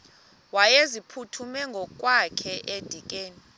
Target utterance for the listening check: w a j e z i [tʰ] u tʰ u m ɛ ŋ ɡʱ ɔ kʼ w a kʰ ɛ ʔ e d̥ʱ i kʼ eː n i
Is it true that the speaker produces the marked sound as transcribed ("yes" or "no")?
no